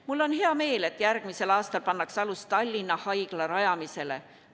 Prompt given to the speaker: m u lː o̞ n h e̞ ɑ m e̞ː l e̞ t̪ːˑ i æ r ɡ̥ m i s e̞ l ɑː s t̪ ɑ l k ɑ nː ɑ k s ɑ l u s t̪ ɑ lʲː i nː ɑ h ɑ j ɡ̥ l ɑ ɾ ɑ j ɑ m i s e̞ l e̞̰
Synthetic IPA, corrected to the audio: m u lː o̞ n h e̞ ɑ m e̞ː l e̞ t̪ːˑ j æ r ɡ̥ m i s e̞ l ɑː s t̪ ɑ l p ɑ nː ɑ k s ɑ l u s t̪ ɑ lʲː i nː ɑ h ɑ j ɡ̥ l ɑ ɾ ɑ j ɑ m i s e̞ l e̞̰